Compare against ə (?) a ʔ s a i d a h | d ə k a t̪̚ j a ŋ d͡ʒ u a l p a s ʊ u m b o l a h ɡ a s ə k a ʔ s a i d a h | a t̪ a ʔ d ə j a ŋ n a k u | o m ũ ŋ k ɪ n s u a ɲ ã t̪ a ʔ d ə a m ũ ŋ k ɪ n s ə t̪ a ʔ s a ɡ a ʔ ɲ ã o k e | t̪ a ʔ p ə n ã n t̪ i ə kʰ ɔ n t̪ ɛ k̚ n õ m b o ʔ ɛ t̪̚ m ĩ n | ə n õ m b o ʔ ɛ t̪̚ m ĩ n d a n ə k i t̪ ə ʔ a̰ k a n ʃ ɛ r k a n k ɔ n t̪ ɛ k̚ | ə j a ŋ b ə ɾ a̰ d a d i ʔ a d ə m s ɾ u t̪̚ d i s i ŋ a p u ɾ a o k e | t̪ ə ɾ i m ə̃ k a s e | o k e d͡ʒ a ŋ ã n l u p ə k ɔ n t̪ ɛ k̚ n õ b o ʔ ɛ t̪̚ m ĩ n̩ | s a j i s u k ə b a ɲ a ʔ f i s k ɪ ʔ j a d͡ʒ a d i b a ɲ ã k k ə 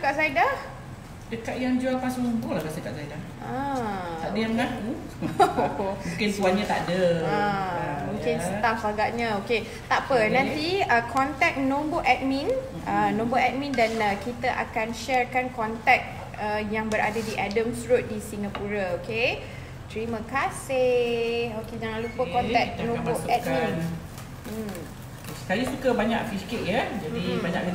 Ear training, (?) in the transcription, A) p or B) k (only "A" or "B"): B